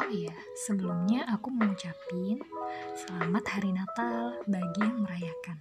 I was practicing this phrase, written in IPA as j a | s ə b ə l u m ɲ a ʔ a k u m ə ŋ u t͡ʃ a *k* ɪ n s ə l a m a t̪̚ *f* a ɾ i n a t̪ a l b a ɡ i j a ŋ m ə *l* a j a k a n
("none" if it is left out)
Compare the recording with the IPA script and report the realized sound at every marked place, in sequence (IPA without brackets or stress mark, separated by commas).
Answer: p, h, ɾ